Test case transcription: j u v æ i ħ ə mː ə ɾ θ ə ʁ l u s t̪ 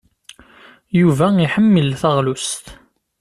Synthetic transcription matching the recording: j u v æ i ħ ə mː ə l θ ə ʁ l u s t̪